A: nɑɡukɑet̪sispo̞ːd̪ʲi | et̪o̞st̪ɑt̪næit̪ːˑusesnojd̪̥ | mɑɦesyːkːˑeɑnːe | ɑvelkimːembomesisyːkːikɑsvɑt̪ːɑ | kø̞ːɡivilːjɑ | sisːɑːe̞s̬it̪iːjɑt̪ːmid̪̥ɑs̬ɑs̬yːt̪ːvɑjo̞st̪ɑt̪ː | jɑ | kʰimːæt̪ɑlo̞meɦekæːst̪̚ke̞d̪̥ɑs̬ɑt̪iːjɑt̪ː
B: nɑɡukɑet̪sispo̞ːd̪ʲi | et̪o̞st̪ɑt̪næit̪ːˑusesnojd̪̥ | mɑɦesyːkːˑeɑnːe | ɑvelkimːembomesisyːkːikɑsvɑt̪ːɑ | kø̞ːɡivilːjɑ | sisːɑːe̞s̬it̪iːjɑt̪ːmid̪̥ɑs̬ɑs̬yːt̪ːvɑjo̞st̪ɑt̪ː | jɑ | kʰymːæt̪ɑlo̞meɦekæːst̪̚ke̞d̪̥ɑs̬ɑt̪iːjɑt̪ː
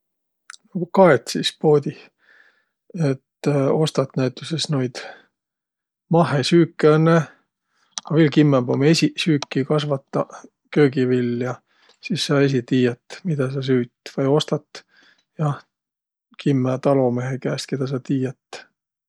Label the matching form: A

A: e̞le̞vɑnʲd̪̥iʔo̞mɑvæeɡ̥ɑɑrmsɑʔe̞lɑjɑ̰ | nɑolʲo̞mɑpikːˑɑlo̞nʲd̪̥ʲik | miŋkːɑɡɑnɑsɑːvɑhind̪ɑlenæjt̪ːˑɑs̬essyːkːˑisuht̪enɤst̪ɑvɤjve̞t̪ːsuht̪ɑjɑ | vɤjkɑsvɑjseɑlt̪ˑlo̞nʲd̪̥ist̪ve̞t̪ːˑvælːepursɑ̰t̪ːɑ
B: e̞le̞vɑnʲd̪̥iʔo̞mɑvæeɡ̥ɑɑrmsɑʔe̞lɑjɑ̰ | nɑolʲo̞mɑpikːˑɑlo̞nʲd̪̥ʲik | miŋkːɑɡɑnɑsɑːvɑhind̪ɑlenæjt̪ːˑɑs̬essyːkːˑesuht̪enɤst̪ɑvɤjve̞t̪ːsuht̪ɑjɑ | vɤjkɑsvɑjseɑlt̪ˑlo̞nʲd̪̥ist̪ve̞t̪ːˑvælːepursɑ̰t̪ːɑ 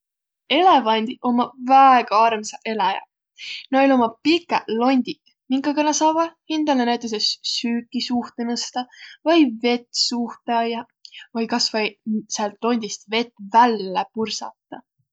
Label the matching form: A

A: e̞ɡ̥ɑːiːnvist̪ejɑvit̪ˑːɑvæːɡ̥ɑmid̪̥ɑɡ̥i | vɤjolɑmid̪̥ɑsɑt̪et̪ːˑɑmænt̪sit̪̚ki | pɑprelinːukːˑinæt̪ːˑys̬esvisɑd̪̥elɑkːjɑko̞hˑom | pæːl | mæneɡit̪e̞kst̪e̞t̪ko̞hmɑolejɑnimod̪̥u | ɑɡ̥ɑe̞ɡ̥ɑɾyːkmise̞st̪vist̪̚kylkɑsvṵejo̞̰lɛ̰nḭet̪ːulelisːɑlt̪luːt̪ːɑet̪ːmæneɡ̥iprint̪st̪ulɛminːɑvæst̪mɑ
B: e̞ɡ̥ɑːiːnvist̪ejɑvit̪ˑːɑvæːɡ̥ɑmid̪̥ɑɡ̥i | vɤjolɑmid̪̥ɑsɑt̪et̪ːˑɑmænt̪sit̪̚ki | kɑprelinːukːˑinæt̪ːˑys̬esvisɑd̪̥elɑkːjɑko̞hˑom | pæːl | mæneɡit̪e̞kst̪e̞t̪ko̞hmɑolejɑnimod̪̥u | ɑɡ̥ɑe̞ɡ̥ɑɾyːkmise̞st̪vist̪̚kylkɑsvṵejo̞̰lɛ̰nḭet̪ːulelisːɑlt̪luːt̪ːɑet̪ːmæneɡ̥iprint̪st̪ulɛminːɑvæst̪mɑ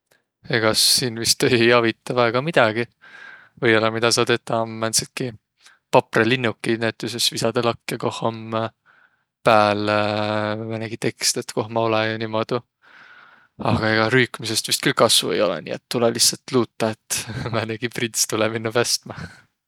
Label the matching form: A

